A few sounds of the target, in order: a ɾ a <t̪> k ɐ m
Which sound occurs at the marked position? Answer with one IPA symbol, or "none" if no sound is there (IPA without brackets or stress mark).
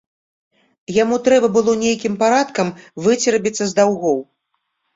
t̪